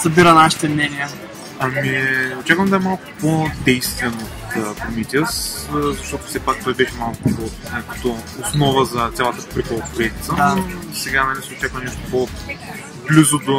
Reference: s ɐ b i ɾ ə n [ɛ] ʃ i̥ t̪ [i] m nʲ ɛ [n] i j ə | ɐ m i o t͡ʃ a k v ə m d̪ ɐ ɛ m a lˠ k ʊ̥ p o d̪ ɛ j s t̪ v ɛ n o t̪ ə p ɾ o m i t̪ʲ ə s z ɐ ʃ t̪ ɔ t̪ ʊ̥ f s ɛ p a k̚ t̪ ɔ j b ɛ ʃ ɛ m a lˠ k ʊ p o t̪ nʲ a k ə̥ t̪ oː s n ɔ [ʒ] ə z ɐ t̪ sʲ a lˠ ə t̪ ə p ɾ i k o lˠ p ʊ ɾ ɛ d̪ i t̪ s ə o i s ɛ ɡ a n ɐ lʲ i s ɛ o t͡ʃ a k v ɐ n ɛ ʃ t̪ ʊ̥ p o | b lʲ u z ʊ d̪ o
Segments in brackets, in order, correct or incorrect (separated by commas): incorrect, incorrect, correct, incorrect